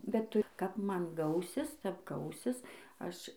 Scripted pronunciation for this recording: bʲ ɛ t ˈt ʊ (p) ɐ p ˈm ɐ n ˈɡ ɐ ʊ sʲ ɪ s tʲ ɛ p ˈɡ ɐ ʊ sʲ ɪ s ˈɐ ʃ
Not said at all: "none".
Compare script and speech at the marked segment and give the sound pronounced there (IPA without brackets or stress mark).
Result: k